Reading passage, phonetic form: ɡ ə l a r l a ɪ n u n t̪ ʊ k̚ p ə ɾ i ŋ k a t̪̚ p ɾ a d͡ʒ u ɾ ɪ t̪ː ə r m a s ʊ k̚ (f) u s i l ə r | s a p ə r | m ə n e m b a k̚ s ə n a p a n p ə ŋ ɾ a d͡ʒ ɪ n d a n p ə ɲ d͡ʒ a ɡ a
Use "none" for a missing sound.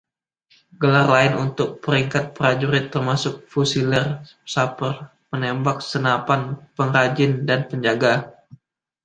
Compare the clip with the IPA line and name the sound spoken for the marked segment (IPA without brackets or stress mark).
f